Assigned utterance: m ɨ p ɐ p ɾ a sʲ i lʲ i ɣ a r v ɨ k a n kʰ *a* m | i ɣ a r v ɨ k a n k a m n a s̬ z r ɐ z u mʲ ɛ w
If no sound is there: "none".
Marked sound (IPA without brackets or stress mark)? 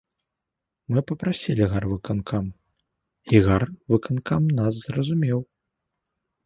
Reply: a